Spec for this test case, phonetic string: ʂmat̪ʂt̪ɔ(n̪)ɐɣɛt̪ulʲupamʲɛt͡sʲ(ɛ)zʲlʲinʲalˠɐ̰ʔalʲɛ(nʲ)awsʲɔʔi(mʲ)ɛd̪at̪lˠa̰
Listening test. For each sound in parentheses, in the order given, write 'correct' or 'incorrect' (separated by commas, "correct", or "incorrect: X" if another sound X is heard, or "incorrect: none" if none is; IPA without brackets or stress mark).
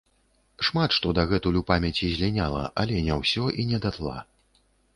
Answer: incorrect: d̪, incorrect: i, correct, incorrect: nʲ